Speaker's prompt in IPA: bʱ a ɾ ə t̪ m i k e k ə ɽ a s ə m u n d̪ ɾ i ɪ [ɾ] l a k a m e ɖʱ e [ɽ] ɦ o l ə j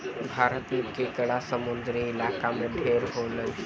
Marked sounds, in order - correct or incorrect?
incorrect, incorrect

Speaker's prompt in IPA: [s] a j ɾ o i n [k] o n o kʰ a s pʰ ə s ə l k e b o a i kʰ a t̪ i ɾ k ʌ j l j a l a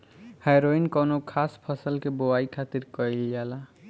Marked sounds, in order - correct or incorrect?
incorrect, correct

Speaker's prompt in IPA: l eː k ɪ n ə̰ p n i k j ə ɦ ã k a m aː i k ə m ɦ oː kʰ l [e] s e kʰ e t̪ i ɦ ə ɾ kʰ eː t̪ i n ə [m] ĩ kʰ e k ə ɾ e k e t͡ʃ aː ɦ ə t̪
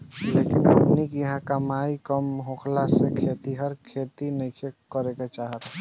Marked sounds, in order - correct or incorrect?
incorrect, incorrect

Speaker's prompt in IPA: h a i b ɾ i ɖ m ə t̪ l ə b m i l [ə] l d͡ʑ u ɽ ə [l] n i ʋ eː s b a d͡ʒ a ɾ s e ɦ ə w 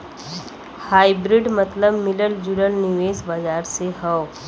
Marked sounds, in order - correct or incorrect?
correct, correct

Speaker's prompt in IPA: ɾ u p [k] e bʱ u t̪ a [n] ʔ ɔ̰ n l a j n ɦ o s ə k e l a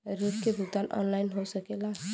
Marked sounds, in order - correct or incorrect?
correct, correct

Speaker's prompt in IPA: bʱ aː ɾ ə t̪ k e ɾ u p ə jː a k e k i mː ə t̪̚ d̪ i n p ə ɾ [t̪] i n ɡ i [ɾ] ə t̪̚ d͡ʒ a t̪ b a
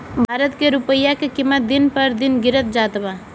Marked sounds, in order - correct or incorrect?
incorrect, correct

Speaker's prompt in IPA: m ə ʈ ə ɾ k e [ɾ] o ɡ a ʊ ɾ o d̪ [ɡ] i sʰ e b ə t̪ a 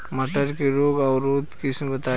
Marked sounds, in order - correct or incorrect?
correct, incorrect

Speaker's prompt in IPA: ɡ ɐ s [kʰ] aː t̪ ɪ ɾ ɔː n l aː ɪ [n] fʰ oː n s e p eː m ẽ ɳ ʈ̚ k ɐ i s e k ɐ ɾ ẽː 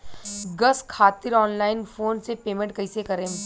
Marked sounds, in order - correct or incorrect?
correct, correct

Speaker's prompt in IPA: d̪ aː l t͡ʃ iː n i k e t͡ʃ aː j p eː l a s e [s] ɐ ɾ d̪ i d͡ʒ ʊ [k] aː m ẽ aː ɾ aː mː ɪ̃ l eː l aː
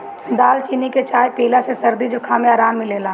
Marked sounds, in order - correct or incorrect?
correct, incorrect

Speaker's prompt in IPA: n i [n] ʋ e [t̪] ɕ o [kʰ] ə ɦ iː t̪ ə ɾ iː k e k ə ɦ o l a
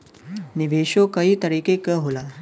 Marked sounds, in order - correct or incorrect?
incorrect, incorrect, incorrect

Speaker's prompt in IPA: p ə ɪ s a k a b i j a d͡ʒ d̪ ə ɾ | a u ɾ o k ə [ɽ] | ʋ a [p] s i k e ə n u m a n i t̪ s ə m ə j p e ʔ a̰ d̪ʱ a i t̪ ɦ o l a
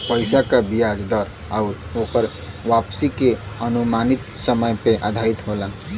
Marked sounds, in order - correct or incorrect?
incorrect, correct

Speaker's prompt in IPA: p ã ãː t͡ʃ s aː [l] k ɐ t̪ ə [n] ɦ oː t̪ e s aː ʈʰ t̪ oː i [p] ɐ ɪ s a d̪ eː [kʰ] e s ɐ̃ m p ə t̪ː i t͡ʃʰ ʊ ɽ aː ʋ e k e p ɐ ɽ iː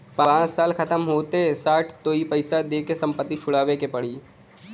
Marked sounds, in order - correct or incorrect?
correct, incorrect, correct, incorrect

